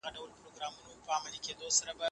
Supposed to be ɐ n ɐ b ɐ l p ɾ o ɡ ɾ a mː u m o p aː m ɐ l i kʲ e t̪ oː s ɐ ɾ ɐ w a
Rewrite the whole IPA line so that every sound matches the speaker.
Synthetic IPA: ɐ d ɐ w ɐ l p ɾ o ɡ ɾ a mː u n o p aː m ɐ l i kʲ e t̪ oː s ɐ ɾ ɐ b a